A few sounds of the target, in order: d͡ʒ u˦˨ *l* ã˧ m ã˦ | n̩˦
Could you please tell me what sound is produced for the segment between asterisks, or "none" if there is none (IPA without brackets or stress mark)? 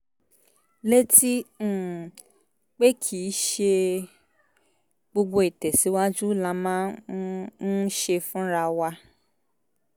l